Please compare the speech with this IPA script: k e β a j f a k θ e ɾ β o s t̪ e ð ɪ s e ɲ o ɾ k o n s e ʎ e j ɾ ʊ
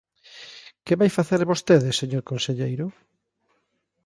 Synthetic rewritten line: k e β a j f a θ e ɾ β o s t̪ e ð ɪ s e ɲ o ɾ k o n s e ʎ e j ɾ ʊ